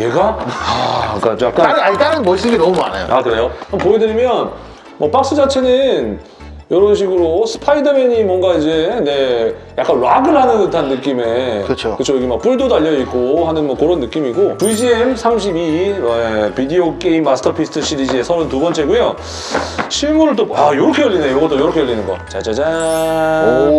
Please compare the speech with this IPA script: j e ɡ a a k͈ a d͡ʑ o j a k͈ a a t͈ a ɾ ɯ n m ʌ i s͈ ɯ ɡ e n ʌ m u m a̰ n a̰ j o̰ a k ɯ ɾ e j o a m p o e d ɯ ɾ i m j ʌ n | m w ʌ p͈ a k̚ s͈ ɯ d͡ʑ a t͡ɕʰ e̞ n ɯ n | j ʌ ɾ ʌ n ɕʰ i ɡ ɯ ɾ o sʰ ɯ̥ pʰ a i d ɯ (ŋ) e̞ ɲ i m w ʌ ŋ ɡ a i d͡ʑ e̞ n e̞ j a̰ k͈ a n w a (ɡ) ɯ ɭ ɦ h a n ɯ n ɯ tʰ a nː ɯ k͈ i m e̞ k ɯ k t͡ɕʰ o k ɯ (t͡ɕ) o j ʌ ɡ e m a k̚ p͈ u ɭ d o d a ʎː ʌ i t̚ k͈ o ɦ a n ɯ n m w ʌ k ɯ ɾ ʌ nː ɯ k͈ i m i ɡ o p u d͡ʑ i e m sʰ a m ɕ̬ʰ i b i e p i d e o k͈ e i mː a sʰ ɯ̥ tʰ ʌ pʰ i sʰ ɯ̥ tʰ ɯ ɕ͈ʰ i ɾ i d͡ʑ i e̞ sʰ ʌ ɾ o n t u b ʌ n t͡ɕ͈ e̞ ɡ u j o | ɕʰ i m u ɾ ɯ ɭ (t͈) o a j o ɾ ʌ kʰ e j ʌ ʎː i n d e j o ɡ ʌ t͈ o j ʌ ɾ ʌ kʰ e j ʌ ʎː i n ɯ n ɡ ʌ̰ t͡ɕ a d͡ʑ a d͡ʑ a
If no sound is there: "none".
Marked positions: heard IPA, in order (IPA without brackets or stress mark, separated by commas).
m, ɡ, t͡ɕʰ, t͈